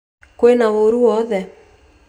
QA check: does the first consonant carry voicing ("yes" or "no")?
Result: no